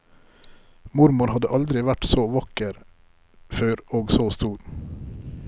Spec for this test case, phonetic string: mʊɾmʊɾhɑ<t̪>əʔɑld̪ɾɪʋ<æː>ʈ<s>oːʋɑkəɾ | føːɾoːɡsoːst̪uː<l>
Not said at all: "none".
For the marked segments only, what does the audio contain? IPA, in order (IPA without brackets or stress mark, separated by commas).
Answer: d̪, æ, s, ɾ